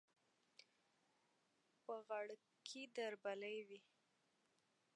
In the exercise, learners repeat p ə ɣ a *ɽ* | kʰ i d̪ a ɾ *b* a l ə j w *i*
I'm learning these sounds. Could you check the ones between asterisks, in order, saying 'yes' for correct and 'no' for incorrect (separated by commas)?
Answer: yes, yes, yes